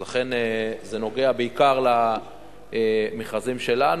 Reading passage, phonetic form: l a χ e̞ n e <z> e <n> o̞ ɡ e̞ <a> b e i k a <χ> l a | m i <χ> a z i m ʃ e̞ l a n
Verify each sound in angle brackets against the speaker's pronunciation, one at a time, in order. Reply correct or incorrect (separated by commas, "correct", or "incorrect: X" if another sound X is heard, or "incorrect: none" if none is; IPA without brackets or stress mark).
correct, correct, correct, incorrect: ʁ, correct